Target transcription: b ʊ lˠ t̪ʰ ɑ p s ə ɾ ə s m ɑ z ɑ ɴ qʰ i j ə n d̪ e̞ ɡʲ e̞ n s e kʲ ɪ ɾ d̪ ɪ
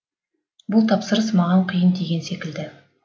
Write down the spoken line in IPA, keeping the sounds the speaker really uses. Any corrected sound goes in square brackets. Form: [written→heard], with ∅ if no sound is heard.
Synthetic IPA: b ʊ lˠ t̪ʰ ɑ p s ə ɾ ə s m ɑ [z→ʁ] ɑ ɴ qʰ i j ə n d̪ e̞ ɡʲ e̞ n s e kʲ ɪ [ɾ→l] d̪ ɪ